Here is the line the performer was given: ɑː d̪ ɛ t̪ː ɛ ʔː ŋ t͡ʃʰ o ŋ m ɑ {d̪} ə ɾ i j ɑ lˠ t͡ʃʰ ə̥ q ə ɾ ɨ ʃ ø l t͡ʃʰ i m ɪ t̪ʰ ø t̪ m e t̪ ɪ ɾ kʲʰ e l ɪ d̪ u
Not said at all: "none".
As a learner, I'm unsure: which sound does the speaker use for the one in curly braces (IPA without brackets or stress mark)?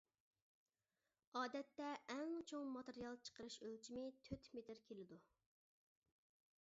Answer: t̪